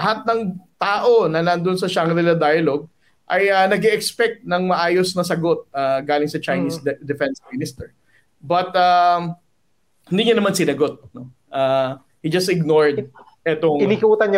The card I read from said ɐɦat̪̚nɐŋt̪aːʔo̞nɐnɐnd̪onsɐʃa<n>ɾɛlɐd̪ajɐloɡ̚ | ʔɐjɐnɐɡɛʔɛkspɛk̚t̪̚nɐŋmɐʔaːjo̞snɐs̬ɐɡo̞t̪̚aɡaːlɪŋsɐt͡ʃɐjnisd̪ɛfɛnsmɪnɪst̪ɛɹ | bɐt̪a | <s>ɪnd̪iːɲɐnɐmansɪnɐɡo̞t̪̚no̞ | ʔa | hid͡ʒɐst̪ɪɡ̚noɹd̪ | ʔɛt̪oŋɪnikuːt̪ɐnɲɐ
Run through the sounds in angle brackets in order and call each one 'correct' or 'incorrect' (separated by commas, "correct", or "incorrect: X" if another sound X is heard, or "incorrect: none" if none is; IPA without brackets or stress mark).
incorrect: ŋ, incorrect: h